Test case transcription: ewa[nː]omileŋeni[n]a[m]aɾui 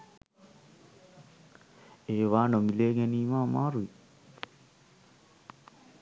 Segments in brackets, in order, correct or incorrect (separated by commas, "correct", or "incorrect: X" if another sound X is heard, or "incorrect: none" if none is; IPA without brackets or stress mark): incorrect: n, incorrect: m, correct